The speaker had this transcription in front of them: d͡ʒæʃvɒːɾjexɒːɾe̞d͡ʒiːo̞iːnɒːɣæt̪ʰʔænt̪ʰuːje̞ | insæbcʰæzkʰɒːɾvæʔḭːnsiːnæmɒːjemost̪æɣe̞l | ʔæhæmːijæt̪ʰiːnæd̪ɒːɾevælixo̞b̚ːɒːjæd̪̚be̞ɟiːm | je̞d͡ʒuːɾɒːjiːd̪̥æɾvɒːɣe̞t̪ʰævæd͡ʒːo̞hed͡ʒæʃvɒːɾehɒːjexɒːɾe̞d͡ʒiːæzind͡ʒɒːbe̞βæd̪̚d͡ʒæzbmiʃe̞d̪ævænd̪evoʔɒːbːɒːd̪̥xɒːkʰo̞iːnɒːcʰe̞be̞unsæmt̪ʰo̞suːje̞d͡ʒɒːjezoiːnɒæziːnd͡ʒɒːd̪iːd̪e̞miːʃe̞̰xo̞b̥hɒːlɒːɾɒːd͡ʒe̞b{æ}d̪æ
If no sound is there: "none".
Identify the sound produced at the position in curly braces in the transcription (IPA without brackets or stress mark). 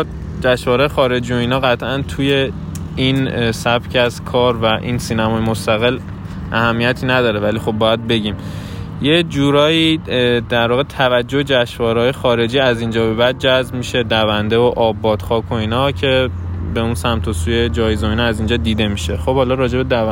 e